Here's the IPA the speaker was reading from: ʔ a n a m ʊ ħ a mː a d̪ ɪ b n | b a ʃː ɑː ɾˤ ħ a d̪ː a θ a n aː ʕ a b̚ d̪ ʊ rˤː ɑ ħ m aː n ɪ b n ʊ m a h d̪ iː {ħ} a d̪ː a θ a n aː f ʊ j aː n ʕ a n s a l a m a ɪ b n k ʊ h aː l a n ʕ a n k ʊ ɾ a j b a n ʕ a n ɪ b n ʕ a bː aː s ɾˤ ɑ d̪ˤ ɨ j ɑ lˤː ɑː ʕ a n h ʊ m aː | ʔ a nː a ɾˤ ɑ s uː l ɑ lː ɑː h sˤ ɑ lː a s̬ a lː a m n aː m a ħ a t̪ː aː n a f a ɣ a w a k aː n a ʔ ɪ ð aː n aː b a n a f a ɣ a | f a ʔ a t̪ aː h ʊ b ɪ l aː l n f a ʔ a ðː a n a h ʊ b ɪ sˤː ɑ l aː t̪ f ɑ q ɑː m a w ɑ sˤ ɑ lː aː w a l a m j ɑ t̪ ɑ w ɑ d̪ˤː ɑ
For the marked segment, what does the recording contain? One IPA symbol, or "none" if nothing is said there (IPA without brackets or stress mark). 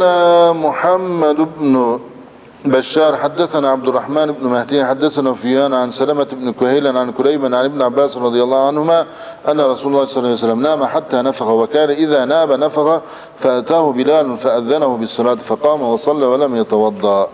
ħ